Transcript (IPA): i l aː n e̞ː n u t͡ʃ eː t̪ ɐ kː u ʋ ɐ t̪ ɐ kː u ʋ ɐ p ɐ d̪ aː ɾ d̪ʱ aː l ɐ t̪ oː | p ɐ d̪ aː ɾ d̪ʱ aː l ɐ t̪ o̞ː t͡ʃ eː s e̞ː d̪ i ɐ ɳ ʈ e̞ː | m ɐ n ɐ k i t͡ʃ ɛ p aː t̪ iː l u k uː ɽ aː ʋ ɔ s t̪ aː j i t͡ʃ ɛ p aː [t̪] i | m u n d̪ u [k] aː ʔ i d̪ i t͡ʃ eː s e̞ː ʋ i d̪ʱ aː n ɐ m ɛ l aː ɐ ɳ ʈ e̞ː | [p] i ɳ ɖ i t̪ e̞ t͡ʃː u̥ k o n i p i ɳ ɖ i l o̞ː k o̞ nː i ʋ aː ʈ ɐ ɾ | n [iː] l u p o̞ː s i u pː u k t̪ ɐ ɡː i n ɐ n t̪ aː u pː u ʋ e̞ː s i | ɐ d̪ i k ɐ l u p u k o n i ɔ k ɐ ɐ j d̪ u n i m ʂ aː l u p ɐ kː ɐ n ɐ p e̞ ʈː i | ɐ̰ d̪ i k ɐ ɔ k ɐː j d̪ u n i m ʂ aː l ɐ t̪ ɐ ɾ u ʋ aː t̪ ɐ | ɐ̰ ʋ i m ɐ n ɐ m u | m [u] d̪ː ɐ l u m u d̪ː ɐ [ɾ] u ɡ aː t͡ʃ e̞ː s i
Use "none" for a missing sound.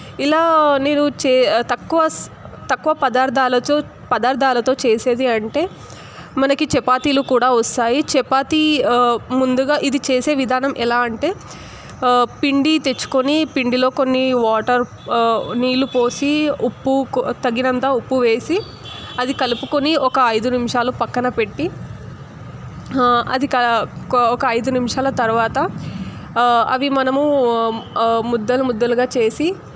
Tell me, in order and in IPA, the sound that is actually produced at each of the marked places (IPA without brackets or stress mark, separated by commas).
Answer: t̪, ɡ, p, iː, u, l